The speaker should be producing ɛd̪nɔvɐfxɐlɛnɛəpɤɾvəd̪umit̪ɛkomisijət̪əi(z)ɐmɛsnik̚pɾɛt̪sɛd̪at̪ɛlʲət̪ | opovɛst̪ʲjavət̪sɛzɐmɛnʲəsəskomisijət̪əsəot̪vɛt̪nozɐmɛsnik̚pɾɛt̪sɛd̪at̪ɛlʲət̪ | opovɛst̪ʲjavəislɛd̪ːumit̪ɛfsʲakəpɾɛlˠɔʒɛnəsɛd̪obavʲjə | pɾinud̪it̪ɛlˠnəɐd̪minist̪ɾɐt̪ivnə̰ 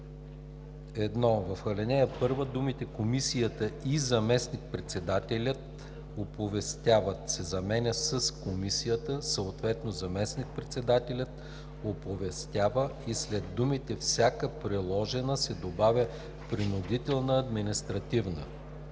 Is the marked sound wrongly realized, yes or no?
no